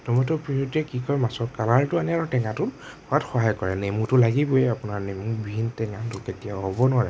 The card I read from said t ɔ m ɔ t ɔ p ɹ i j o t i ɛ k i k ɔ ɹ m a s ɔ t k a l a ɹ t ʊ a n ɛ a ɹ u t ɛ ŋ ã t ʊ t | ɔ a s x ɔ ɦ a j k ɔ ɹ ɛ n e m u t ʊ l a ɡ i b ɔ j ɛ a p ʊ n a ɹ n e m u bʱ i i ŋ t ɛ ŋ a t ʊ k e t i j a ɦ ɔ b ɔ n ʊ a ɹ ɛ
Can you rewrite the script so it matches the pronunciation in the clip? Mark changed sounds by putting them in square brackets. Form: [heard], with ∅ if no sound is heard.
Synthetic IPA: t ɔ m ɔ t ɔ p ɹ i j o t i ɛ k i k ɔ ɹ m a s ɔ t k a l a ɹ t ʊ a n ɛ a ɹ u t ɛ ŋ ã t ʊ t | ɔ a [t] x ɔ ɦ a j k ɔ ɹ ɛ n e m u t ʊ l a ɡ i b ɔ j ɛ a p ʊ n a ɹ n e m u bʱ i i [n] t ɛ ŋ a t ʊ k e t i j a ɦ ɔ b ɔ n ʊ a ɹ ɛ

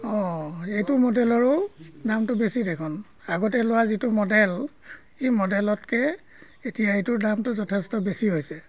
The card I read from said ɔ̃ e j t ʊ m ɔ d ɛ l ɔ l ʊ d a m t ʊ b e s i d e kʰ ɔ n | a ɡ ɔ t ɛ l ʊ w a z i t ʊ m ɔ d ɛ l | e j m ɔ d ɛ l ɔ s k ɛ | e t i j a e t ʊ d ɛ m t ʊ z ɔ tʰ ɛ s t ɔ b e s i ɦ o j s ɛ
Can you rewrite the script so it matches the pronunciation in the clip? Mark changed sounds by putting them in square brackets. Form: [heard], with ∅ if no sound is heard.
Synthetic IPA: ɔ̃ e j t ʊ m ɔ d ɛ l ɔ [ɹ] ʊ d a m t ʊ b e s i d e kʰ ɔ n | a ɡ ɔ t ɛ l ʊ w a z i t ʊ m ɔ d ɛ l | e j m ɔ d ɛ l ɔ [t] k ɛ | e t i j a e t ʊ d [a] m t ʊ z ɔ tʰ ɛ s t ɔ b e s i ɦ o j s ɛ

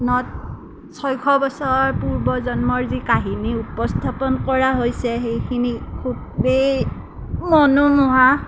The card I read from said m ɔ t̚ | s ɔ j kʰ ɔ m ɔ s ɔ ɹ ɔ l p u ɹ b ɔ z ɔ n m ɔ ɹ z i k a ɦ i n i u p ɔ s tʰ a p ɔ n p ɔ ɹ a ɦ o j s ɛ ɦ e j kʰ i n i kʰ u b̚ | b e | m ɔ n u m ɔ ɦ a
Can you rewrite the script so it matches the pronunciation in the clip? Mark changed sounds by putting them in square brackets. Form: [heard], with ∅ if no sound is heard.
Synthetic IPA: [n] ɔ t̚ | s ɔ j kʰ ɔ [b] ɔ s ɔ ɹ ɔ [ɹ] p u ɹ b ɔ z ɔ n m ɔ ɹ z i k a ɦ i n i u p ɔ s tʰ a p ɔ n [k] ɔ ɹ a ɦ o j s ɛ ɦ e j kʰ i n i kʰ u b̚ | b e | m ɔ n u m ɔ ɦ a

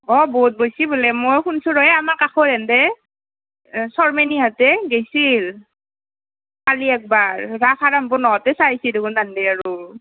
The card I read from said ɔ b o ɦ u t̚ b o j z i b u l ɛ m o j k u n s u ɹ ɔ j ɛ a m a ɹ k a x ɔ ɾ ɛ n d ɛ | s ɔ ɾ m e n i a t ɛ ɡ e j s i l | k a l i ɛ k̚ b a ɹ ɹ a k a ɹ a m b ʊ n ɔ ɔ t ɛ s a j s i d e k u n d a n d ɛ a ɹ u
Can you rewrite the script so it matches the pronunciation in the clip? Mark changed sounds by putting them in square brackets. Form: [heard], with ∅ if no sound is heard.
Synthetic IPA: ɔ b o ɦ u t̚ b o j [s] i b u l ɛ m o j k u n s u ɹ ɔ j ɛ a m a ɹ k a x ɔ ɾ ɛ n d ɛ | s ɔ [ɹ] m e n i a t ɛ ɡ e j s i l | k a l i ɛ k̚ b a ɹ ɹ a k a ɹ a m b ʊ n ɔ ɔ t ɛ s a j s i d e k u n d a n d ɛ a ɹ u

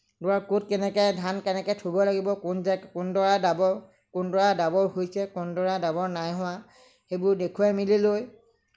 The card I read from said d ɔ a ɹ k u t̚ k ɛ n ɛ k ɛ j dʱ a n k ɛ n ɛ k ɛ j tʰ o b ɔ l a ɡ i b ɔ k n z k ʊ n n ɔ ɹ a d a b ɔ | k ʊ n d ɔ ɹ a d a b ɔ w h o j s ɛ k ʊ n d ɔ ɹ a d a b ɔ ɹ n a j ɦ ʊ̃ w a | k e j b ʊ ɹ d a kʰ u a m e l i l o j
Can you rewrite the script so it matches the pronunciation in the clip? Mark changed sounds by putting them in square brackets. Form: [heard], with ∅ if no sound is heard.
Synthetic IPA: d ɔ a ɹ k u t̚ k ɛ n ɛ k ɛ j dʱ a n k ɛ n ɛ k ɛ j tʰ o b ɔ l a ɡ i b ɔ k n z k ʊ n [d] ɔ ɹ a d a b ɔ | k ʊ n d ɔ ɹ a d a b ɔ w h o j s ɛ k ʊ n d ɔ ɹ a d a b ɔ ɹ n a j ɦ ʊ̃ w a | [x] e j b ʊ ɹ d [e] kʰ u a m [i] l i l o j

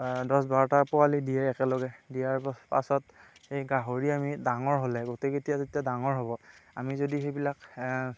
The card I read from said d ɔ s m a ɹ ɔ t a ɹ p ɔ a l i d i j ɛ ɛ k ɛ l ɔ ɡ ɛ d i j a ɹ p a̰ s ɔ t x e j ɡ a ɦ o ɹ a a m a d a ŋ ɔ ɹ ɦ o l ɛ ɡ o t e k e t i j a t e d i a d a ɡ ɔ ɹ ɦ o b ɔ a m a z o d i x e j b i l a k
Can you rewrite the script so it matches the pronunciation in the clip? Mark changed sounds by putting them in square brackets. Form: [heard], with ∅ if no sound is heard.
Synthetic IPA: d ɔ s [b] a ɹ ɔ t a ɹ p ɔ a l i d i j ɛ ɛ k ɛ l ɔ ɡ ɛ d i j a ɹ p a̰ s ɔ t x e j ɡ a ɦ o ɹ [i] a m [i] d a ŋ ɔ ɹ ɦ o l ɛ ɡ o t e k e t i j a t e [t] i a d a [ŋ] ɔ ɹ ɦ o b ɔ a m [i] z o d i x e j b i l a k

